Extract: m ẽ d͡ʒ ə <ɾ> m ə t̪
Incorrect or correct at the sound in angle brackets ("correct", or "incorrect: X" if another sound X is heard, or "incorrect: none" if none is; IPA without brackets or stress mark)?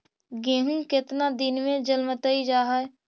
incorrect: l